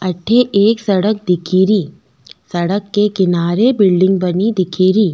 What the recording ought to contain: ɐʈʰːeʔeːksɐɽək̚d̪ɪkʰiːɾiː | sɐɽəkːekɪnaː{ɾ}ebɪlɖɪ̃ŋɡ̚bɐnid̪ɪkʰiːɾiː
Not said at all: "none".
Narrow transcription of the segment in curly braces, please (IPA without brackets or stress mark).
ɾ